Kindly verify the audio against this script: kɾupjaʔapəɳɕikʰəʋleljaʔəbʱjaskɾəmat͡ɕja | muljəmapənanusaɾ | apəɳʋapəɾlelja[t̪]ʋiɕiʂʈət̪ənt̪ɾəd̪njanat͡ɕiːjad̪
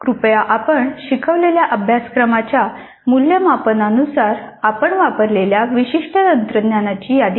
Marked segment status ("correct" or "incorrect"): incorrect